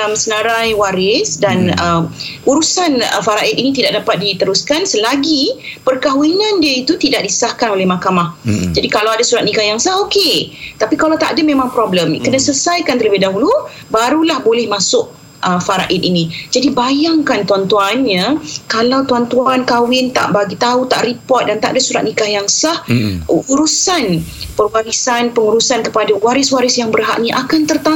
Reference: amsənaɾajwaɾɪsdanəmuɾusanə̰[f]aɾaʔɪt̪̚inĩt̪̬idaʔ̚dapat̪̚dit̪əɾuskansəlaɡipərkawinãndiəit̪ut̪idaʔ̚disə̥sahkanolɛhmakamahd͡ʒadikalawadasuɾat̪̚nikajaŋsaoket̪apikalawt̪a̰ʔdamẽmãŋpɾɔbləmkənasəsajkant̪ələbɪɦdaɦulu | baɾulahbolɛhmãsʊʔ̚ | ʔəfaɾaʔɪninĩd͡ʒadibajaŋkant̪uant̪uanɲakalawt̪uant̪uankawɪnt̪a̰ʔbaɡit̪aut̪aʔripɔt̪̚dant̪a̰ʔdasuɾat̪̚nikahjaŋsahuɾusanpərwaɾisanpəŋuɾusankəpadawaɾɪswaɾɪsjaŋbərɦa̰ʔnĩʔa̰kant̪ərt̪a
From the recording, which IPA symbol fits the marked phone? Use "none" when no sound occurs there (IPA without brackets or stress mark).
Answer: f